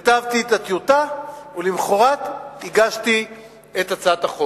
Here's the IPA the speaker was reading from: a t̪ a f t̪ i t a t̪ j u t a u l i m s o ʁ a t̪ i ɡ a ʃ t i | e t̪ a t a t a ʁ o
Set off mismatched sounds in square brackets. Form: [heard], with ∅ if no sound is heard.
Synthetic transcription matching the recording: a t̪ a [v] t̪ i t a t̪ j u t a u l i m [χ] o ʁ a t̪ i ɡ a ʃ t i | e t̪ a [t͡s] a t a [χ] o